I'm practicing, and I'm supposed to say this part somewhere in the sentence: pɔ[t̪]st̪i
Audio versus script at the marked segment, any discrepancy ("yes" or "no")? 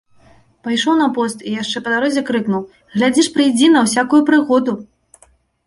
yes